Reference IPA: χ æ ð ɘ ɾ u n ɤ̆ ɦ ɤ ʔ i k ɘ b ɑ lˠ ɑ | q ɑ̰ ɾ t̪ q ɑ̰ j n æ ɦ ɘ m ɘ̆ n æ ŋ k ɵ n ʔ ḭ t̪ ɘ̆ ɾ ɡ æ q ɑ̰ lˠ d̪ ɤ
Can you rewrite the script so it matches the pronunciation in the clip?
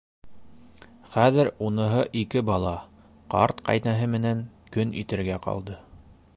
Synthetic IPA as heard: χ æ ð ɘ ɾ u n ɤ̆ ɦ ɤ ʔ i k ɘ b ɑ lˠ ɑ | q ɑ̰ ɾ t̪ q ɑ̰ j n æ ɦ ɘ m ɘ̆ n æ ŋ k ɵ n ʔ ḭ t̪ ɘ̆ ɾ ɡ æ q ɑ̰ lˠ d̪ ɤ